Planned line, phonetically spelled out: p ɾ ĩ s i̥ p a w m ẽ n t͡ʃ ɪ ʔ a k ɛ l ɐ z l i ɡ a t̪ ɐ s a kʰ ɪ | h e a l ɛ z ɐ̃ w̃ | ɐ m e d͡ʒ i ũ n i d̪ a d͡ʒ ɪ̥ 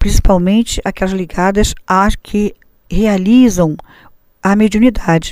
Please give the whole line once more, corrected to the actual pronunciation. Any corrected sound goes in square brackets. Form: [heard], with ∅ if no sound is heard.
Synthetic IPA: p ɾ ĩ s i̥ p a w m ẽ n t͡ʃ ɪ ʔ a k ɛ l ɐ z l i ɡ a [d̪] ɐ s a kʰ ɪ | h e a l [i] z ɐ̃ w̃ | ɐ m e d͡ʒ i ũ n i d̪ a d͡ʒ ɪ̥